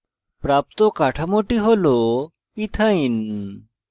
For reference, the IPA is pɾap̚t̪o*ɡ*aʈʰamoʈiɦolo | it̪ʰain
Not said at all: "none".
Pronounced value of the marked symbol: k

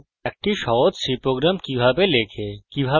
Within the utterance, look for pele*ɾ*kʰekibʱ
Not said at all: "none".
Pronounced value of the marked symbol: none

